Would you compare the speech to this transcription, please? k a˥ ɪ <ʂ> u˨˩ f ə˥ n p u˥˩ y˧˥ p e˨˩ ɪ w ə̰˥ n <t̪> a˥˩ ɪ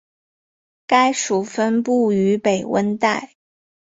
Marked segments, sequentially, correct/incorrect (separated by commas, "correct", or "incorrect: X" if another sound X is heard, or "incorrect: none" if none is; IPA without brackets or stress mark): correct, correct